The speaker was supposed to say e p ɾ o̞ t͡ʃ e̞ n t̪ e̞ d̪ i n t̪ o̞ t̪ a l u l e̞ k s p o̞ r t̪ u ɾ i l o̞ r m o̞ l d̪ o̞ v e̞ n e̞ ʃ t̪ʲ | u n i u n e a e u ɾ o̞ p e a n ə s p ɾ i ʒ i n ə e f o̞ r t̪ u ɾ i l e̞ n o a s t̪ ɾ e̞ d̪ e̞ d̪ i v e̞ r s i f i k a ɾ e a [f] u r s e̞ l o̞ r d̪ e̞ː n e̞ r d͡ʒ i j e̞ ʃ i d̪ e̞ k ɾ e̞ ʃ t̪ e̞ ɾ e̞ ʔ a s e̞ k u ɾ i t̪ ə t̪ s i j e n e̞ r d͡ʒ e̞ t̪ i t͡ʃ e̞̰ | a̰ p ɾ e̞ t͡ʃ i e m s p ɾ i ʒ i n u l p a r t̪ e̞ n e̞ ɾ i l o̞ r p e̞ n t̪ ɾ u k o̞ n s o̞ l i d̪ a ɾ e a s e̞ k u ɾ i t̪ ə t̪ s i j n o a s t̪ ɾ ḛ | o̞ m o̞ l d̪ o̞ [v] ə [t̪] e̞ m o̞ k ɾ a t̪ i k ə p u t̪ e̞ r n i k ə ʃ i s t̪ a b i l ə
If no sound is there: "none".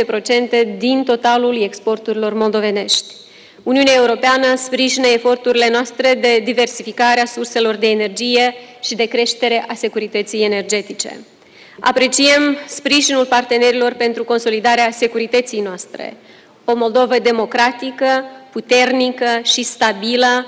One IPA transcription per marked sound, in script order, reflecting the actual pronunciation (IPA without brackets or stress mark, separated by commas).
s, v, d̪